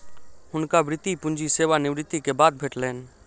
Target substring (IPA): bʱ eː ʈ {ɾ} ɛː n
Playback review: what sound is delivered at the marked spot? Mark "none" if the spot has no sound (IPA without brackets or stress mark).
l